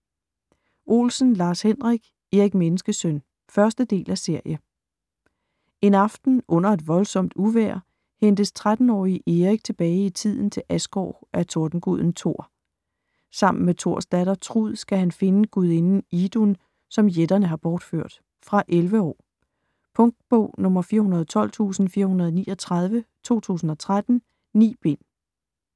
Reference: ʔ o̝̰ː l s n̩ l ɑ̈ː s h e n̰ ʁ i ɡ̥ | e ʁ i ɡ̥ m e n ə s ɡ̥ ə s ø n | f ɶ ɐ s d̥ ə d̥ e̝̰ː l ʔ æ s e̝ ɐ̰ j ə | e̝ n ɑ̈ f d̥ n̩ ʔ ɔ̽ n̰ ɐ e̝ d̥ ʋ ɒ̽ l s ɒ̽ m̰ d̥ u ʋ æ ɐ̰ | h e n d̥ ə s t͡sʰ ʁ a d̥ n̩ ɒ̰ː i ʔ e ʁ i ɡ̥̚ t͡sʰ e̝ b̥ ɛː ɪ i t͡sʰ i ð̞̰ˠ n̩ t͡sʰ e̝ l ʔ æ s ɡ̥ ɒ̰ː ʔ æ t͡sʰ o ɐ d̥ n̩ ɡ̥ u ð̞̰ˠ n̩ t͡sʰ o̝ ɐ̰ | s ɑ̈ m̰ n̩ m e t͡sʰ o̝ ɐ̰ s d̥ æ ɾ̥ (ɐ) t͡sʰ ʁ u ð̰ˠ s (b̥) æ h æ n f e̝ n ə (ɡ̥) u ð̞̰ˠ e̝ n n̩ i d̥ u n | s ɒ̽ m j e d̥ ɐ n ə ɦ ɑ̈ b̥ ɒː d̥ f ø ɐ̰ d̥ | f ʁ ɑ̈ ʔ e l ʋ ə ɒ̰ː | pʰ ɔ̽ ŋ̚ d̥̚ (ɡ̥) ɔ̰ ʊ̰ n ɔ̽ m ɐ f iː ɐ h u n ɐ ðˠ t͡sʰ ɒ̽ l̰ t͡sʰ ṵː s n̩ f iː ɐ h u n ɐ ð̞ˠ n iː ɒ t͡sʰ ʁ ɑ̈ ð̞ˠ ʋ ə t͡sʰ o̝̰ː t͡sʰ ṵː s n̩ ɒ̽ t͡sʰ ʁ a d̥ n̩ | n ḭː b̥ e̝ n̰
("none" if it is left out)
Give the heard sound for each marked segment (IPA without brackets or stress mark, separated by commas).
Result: ɐ, ɡ̥, ɡ̥, b̥